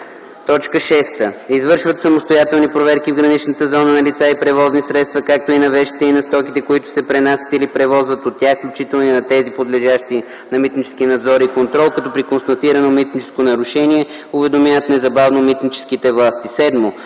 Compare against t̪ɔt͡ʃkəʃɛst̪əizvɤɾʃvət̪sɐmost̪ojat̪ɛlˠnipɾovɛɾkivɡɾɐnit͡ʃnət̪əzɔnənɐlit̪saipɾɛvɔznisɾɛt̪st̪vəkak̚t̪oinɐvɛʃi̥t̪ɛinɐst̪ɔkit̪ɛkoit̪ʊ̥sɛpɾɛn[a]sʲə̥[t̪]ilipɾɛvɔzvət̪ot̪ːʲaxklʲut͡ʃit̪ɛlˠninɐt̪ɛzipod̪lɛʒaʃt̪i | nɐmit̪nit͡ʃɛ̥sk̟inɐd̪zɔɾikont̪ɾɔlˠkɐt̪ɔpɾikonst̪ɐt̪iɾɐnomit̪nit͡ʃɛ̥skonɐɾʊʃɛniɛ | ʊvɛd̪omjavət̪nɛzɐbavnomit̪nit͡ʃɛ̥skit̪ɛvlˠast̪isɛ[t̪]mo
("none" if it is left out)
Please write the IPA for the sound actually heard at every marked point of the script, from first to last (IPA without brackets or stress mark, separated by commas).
a, t̪, d̪